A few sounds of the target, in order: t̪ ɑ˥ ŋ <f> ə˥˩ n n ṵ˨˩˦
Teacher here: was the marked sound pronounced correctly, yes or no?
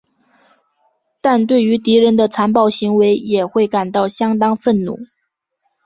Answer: yes